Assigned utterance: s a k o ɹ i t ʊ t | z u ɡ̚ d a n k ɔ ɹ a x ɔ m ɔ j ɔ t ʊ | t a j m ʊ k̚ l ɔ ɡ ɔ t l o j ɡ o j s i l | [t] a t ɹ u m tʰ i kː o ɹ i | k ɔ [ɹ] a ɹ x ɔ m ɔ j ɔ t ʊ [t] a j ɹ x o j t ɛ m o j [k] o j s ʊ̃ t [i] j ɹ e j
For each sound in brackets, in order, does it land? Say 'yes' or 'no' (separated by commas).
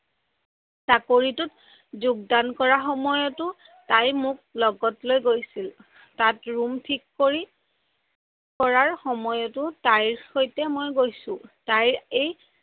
yes, yes, yes, no, no